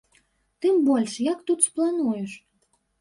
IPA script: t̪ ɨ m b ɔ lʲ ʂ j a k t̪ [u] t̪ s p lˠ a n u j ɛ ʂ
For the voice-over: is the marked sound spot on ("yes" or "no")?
yes